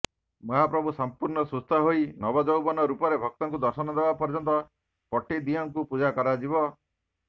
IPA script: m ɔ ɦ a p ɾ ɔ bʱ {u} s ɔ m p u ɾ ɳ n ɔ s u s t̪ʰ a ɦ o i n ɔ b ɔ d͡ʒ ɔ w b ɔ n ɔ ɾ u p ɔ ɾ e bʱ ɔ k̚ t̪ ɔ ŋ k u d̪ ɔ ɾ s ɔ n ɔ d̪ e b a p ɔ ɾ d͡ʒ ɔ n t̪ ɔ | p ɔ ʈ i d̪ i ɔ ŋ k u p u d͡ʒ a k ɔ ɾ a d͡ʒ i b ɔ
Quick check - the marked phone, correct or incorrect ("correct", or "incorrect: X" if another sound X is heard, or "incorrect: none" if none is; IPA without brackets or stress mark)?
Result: correct